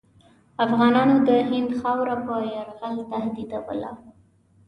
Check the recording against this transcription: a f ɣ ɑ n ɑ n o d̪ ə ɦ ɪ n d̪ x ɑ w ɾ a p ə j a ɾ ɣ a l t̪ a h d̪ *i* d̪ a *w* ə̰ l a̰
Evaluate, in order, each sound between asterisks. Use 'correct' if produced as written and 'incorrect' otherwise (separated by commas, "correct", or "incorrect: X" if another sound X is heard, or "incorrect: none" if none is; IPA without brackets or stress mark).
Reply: correct, correct